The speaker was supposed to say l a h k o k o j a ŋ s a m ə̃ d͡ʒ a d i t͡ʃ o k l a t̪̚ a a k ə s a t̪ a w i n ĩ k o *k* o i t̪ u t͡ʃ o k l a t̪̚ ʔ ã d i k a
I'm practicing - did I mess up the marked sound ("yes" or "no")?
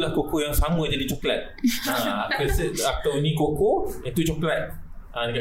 no